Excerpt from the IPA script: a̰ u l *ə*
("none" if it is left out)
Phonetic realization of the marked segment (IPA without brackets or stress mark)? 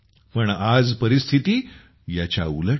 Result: ə